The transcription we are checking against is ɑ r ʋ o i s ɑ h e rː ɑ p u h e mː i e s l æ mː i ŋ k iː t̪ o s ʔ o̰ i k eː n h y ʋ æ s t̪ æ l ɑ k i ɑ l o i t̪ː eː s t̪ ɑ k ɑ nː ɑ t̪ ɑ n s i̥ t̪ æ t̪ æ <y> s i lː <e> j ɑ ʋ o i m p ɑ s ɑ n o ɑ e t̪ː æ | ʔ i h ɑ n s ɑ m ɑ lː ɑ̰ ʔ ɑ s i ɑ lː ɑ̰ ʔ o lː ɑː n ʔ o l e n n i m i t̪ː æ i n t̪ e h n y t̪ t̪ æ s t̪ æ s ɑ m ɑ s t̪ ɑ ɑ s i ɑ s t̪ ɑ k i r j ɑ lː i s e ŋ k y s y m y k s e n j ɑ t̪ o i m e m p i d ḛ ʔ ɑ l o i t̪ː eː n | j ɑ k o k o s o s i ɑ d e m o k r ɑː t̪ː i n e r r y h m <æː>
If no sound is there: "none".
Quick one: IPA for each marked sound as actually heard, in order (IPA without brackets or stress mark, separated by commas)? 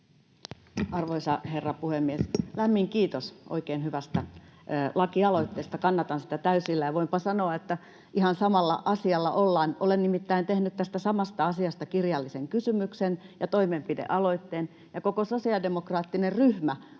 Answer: y, æ, æ